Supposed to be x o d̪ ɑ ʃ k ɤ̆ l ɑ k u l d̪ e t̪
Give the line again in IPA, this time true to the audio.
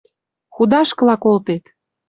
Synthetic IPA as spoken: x u d̪ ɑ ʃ k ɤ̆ l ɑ k o l t̪ e t̪

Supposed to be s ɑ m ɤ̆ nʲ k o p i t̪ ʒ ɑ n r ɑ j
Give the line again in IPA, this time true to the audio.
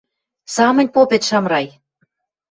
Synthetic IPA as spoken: s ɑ m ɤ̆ nʲ p o p e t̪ ʃ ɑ m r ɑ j

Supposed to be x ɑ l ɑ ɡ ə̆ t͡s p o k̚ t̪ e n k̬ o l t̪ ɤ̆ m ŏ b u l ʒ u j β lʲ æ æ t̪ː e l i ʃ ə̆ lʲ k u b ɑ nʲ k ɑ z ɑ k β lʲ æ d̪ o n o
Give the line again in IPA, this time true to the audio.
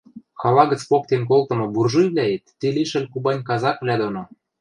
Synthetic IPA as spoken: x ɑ l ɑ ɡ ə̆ t͡s p o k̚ t̪ e n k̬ o l t̪ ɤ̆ m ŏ b u r ʒ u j β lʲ æ e t̪ː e l i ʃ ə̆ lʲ k u b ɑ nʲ k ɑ z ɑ k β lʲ æ d̪ o n o

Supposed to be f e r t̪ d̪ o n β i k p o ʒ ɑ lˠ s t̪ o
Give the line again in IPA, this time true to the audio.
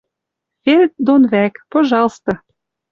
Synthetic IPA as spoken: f e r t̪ d̪ o n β æ k p o ʒ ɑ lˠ s t̪ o

